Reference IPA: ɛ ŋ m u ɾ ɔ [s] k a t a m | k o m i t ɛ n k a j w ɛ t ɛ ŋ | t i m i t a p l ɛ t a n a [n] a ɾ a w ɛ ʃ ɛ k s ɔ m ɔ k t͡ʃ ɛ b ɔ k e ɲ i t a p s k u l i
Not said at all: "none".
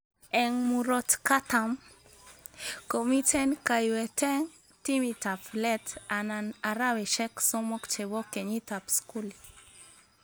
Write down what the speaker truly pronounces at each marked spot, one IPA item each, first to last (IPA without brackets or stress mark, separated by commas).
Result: t, n